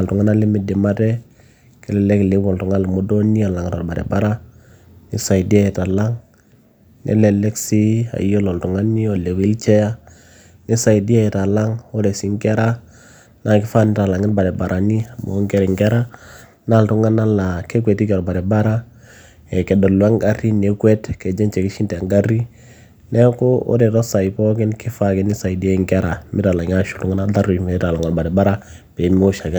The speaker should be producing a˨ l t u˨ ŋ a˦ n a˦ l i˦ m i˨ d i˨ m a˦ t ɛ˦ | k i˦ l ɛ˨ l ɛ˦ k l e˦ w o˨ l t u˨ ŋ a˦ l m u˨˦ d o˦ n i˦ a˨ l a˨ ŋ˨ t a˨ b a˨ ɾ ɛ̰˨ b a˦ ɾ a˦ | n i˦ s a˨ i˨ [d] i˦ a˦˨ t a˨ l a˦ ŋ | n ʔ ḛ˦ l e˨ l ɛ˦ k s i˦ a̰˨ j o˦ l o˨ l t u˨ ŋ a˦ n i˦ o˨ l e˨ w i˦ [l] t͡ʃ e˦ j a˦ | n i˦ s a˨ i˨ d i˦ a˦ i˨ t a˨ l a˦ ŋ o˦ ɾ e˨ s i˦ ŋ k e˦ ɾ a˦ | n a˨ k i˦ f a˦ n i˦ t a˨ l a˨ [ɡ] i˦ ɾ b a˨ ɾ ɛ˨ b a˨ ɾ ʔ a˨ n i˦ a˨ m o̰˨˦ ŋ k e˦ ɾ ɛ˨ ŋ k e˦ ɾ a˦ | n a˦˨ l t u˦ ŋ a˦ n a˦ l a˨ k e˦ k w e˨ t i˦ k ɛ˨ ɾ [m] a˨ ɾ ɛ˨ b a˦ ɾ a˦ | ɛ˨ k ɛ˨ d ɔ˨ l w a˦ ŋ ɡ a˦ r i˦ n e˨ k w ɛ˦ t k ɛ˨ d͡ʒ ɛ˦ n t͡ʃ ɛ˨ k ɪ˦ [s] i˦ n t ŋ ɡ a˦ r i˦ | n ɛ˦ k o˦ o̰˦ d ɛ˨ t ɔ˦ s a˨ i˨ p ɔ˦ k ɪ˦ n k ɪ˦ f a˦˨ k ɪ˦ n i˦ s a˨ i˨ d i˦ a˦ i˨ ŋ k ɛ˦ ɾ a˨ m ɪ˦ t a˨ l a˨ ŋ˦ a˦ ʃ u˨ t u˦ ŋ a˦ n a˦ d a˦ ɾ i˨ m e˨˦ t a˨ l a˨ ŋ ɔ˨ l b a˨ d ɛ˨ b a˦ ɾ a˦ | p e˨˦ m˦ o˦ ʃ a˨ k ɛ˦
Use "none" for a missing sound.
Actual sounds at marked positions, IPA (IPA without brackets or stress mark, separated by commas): d, l, ŋ, b, ʃ